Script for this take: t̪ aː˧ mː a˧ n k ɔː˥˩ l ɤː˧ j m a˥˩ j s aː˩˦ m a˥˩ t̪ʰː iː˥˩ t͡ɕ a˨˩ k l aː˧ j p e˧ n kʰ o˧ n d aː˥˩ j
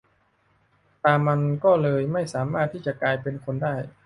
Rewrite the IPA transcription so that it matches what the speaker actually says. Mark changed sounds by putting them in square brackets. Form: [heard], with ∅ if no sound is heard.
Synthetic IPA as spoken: t̪ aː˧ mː a˧ n k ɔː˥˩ l ɤː˧ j m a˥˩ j s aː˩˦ m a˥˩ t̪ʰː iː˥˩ t͡ɕ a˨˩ k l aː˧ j p e˧ n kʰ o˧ n d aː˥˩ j